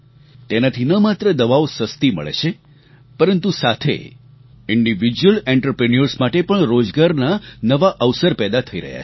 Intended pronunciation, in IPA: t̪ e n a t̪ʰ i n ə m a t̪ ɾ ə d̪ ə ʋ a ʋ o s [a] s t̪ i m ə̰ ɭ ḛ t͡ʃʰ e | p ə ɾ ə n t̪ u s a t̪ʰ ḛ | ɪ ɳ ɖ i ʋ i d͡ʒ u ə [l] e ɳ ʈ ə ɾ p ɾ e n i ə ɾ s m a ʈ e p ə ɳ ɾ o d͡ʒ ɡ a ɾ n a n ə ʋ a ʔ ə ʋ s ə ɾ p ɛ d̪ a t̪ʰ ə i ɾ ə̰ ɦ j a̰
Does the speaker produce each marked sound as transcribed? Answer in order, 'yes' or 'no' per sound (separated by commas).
no, yes